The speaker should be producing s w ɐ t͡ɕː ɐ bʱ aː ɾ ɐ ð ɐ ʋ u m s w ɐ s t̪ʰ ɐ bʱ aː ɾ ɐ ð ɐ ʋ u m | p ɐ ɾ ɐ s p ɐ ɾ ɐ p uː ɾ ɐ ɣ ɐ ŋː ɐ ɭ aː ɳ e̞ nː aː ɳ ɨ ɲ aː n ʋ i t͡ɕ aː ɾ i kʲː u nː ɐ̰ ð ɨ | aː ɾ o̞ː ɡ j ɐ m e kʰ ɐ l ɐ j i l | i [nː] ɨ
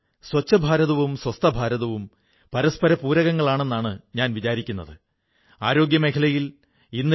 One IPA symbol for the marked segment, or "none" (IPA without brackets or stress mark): nː